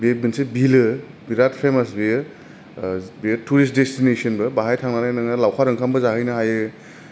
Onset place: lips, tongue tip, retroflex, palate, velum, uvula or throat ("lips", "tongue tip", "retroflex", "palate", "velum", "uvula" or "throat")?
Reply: lips